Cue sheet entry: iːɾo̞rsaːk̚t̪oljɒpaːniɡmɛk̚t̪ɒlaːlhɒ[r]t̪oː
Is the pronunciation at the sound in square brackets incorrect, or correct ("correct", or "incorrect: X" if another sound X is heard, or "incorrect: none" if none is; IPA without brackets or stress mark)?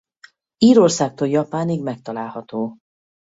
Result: incorrect: none